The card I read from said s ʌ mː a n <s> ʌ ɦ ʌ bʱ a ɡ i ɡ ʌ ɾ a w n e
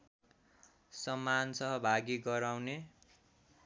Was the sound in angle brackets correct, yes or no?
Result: yes